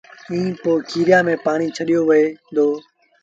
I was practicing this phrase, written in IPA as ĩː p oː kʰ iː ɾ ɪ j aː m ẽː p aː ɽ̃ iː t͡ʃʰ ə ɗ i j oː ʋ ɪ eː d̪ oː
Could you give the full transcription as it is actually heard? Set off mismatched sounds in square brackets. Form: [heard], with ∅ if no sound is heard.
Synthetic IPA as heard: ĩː p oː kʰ iː ɾ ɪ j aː m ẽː p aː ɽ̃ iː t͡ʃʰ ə ɗ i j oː ʋ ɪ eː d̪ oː